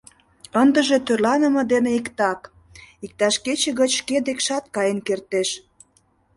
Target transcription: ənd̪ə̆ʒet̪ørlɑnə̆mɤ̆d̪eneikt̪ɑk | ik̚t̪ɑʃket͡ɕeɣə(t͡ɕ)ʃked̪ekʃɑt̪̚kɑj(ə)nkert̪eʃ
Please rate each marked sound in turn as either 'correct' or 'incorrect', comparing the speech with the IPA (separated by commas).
correct, correct